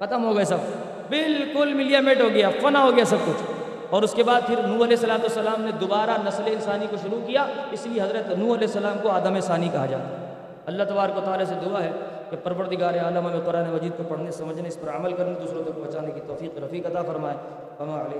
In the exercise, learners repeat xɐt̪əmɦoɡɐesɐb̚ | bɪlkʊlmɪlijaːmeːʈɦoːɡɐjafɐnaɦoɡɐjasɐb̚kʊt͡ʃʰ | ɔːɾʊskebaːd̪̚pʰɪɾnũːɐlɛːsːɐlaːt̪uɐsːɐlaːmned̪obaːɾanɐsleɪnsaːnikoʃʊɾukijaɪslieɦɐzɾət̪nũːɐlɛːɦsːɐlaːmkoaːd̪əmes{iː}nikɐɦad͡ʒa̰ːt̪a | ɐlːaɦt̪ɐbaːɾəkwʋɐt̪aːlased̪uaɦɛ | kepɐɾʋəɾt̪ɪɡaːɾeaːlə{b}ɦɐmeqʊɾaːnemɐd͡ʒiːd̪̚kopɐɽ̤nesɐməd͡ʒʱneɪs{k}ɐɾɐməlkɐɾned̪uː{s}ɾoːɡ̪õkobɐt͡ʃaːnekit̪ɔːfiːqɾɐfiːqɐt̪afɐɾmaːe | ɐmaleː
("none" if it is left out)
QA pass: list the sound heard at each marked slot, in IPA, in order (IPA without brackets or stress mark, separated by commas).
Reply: aː, m, p, s